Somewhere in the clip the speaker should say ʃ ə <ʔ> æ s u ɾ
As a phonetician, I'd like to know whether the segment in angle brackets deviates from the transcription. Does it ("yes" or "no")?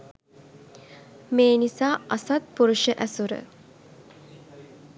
no